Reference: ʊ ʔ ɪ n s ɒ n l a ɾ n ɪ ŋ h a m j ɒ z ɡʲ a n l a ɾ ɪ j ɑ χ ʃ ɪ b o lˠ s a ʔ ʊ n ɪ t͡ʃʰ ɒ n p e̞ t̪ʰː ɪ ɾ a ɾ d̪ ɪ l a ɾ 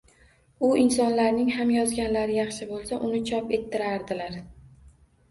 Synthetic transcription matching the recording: ʊ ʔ ɪ n s ɒ n l a ɾ n ɪ ŋ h a m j ɒ z ɡʲ a n l a ɾ ɪ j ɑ χ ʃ ɪ b o lˠ s a ʔ ʊ n ɪ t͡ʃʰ ɒ p e̞ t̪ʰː ɪ ɾ a ɾ d̪ ɪ l a ɾ